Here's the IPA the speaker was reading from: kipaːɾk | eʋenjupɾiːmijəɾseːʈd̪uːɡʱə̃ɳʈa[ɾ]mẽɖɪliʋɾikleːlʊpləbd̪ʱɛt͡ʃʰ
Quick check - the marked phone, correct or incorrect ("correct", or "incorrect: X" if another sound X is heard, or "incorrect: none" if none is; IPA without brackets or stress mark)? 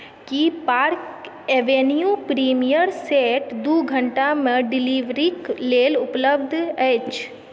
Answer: incorrect: none